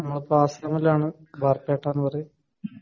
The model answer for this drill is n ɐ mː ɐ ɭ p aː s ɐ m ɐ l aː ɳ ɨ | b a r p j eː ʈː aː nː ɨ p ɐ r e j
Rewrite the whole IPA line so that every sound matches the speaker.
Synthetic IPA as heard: n ɐ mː ɐ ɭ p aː s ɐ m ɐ l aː ɳ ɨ | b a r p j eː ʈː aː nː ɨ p ɐ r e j